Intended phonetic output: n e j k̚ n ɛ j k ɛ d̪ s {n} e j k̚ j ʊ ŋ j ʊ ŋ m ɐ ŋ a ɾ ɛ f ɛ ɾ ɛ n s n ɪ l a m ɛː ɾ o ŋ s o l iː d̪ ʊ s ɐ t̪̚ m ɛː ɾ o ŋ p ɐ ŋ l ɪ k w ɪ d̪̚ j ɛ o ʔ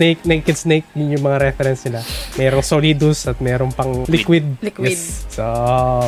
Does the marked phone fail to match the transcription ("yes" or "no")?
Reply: no